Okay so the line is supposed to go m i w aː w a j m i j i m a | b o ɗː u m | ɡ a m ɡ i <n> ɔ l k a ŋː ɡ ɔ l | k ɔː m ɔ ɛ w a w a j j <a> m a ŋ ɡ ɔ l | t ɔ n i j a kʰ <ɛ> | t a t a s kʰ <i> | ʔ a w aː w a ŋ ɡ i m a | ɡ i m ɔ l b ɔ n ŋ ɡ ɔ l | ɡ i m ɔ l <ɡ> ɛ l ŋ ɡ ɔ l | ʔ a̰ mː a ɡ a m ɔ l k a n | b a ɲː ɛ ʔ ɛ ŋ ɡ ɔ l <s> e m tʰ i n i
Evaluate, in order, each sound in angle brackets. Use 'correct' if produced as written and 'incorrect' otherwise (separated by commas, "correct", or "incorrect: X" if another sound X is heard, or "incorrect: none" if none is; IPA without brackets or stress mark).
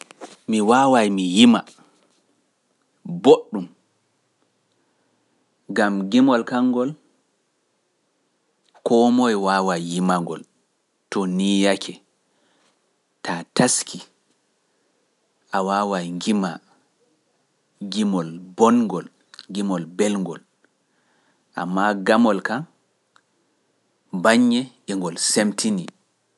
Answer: incorrect: m, incorrect: i, correct, correct, incorrect: b, correct